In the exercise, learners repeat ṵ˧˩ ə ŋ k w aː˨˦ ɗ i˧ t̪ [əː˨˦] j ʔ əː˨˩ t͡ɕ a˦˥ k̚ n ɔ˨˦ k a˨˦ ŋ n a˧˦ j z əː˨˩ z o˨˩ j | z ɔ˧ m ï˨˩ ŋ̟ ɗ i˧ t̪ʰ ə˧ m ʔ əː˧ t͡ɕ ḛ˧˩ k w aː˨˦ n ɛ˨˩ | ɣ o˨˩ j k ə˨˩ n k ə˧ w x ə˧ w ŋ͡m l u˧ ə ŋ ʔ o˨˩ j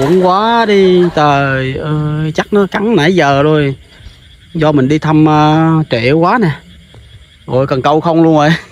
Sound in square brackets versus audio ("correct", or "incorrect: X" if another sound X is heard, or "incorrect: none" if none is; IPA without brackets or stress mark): incorrect: əː˨˩